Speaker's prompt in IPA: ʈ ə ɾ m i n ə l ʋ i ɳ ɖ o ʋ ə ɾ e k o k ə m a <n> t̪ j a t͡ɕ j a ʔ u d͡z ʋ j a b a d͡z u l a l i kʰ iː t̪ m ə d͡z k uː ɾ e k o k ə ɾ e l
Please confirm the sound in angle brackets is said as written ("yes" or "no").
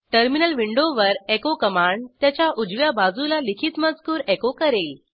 no